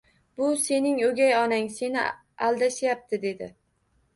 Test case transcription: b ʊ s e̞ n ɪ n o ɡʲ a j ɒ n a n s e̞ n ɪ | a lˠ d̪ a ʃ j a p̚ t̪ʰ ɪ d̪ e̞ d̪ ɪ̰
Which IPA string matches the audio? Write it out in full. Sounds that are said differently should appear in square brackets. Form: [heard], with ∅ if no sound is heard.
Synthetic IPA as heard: b ʊ s e̞ n ɪ [ŋ] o ɡʲ a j ɒ n a [ŋ] s e̞ n ɪ | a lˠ d̪ a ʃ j a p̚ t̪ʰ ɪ d̪ e̞ d̪ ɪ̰